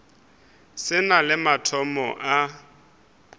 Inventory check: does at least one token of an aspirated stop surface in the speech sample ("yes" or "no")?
yes